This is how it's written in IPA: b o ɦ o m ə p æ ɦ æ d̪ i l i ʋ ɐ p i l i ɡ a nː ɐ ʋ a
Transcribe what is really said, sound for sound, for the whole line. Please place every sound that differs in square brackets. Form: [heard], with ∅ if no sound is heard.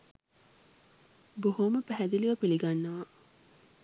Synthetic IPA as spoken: b o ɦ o m ə p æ ɦ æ d̪ i l i ʋ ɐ p i l i ɡ a nː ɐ ʋ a